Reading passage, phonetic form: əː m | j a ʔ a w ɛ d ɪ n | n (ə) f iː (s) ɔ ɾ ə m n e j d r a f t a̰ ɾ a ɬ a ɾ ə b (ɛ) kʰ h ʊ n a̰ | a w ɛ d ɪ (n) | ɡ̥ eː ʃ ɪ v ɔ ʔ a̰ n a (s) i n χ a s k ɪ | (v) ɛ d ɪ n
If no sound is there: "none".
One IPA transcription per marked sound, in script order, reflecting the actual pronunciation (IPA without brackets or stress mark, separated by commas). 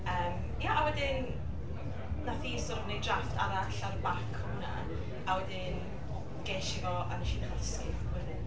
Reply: a, s, a, n, ʃ, w